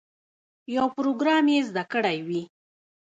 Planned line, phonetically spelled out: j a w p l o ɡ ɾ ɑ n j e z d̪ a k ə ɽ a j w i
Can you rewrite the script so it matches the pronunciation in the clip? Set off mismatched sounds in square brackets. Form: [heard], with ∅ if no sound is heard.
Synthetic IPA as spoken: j a w p [ɾ] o ɡ ɾ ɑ [m] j e z d̪ a k ə ɽ a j w i